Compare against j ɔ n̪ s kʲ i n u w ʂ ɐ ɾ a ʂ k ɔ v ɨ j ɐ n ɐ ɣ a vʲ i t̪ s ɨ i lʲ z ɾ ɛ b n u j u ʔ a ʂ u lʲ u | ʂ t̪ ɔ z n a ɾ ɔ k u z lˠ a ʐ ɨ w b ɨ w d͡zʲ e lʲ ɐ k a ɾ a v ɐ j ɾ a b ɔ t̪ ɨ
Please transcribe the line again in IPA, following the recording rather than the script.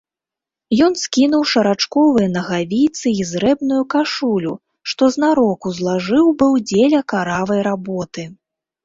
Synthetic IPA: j ɔ n̪ s kʲ i n u w ʂ ɐ ɾ a t͡ʂ k ɔ v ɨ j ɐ n ɐ ɣ a vʲ i t̪ s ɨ i z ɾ ɛ b n u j u k a ʂ u lʲ u | ʂ t̪ ɔ z n a ɾ ɔ k u z lˠ a ʐ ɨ w b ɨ w d͡zʲ e lʲ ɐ k a ɾ a v ɐ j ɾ a b ɔ t̪ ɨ